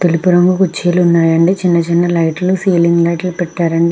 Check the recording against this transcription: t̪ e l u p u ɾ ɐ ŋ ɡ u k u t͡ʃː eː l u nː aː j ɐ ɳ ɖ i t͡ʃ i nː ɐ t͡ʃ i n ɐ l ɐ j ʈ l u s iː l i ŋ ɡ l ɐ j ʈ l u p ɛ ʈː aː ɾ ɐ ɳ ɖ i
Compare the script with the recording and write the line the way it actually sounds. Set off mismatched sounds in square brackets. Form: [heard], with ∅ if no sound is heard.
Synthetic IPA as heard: t̪ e l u p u ɾ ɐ ŋ ɡ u k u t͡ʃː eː l u nː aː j ɐ ɳ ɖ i t͡ʃ i nː ɐ t͡ʃ i [nː] ɐ l ɐ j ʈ l u s iː l i ŋ ɡ l ɐ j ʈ l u p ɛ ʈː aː ɾ ɐ ɳ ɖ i